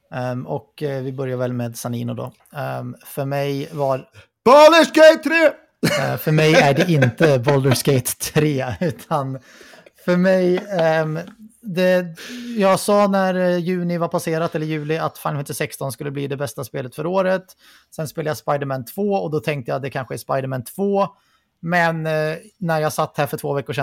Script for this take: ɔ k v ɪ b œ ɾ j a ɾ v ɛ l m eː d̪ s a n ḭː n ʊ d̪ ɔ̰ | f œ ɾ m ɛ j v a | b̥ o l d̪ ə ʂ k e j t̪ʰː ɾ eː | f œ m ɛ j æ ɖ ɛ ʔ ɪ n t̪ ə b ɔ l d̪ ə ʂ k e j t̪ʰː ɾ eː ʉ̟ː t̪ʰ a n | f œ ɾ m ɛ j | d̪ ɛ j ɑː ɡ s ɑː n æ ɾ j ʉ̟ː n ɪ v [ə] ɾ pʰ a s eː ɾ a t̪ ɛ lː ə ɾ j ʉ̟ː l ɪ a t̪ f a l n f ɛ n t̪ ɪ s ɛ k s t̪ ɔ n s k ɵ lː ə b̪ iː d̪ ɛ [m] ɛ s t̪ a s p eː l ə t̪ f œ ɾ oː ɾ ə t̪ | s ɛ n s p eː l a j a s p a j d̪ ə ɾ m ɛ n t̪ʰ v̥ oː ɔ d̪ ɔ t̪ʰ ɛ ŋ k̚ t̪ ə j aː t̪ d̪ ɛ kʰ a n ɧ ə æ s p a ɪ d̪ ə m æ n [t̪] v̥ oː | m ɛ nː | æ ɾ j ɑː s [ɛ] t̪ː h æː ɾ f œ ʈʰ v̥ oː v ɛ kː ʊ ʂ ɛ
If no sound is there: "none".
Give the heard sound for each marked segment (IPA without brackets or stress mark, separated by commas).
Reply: a, b, t̪ʰ, a